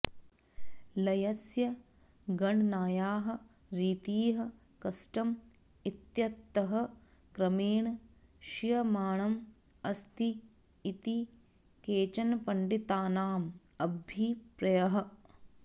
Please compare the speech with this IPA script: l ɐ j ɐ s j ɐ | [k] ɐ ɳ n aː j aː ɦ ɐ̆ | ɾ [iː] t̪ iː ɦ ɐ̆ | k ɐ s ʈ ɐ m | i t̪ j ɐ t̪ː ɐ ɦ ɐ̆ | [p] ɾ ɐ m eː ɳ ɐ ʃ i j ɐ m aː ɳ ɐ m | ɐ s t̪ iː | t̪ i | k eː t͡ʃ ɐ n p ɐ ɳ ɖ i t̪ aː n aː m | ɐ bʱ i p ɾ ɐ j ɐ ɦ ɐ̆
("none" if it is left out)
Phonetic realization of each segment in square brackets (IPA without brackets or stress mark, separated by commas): ɡ, iː, k